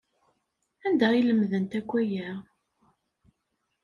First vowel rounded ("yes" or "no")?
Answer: no